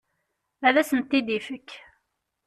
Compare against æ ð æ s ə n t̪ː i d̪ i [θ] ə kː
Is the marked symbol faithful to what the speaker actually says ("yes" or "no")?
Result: no